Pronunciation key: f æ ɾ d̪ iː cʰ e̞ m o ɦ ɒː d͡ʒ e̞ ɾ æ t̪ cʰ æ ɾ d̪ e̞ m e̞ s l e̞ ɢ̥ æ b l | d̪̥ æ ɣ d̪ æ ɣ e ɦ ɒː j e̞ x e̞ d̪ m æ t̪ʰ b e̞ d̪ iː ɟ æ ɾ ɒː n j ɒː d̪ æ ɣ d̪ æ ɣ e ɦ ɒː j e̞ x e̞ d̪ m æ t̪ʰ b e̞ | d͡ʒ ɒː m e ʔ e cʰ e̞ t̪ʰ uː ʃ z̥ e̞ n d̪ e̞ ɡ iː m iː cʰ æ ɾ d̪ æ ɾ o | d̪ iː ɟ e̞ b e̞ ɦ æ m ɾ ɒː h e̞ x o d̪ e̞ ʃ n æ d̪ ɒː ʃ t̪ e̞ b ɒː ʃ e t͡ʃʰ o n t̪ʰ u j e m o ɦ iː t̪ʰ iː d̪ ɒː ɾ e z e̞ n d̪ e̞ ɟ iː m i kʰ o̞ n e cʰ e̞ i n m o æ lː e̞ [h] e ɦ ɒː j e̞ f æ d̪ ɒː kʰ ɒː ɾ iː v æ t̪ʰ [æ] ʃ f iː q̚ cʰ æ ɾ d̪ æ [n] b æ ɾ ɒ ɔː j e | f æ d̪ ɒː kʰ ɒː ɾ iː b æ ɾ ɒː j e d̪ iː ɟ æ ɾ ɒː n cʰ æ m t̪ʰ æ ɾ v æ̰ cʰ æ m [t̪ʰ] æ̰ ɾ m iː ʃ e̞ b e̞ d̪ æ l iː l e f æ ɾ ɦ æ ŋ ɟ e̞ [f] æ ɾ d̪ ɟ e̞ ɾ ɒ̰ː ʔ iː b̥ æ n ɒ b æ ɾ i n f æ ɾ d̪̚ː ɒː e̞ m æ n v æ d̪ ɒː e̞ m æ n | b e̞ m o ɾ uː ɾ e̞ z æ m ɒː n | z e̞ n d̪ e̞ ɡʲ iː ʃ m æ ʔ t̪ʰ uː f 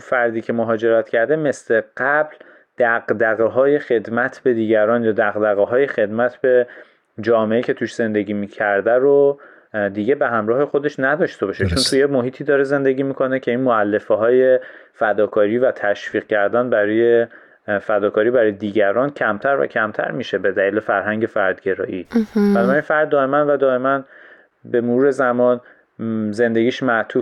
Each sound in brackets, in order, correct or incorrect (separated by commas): incorrect, correct, correct, correct, correct